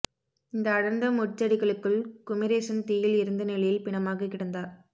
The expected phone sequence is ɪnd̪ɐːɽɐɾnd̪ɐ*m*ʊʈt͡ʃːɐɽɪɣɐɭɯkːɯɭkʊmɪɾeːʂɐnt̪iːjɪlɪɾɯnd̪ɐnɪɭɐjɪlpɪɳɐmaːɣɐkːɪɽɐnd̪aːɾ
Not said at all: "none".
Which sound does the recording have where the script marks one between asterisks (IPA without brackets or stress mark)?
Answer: m